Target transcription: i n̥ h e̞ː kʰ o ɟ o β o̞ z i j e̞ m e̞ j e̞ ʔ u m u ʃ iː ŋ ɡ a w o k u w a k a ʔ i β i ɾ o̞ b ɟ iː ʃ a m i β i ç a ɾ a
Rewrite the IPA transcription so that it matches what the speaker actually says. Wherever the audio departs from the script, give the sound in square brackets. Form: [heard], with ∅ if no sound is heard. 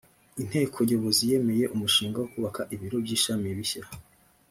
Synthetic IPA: i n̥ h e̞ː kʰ o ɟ o β o̞ z i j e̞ m e̞ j e̞ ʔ u m u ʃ iː ŋ ɡ a w o k u [β] a k a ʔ i β i ɾ o̞ b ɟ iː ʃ a m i β i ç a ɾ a